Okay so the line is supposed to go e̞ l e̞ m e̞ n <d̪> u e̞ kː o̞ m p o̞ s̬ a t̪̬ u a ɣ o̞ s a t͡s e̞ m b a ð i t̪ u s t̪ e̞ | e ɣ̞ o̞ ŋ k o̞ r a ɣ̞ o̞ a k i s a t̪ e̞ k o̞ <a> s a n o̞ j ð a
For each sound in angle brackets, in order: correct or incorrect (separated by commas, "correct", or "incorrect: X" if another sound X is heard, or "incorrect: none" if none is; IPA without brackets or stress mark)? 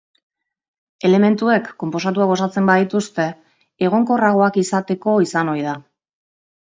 incorrect: t̪, incorrect: i